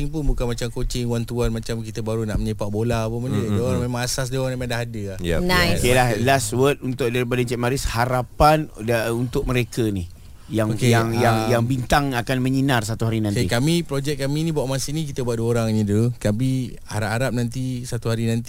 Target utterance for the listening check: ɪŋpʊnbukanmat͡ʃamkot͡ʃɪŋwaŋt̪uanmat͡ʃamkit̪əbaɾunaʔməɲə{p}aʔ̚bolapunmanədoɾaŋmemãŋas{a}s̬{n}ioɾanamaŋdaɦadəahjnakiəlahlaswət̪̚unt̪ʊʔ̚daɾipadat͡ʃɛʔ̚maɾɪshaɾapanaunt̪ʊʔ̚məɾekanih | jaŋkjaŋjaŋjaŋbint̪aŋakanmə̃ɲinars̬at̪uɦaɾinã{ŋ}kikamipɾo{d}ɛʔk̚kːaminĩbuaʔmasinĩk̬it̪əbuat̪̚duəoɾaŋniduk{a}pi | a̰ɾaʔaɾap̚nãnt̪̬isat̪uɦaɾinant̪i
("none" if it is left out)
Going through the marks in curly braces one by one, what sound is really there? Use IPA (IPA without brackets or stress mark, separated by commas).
p, a, d, n, d͡ʒ, a